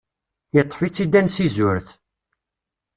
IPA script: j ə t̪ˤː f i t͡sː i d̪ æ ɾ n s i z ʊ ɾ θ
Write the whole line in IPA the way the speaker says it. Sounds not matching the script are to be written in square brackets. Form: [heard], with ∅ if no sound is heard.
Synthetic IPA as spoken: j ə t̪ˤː f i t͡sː i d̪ æ [∅] n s i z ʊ ɾ θ